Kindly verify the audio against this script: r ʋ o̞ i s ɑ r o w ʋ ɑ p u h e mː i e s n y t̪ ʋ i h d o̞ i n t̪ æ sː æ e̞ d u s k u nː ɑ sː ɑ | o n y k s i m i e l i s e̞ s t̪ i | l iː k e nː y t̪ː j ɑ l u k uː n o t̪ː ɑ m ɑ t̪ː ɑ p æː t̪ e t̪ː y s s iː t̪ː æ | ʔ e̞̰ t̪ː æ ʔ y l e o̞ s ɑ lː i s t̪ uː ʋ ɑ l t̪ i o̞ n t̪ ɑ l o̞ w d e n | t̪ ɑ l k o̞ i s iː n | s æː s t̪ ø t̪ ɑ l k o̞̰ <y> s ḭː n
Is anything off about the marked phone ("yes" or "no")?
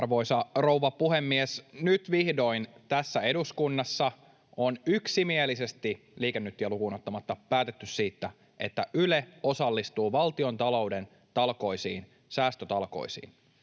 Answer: yes